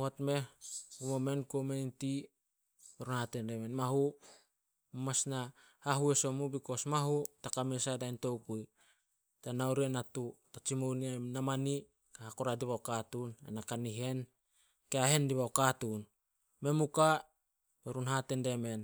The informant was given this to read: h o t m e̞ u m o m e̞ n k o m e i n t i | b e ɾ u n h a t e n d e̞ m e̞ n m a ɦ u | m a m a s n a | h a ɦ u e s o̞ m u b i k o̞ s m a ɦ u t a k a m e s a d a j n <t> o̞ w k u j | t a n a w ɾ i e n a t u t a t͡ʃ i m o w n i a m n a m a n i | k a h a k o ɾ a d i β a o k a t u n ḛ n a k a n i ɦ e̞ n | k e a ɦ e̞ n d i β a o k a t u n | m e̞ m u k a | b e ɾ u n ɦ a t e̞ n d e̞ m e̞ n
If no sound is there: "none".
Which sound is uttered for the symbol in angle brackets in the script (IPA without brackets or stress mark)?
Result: t